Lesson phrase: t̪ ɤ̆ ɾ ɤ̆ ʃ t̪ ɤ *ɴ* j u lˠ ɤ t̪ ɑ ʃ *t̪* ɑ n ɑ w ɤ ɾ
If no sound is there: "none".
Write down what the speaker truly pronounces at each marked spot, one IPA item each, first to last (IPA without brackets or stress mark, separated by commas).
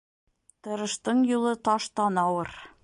ɴ, t̪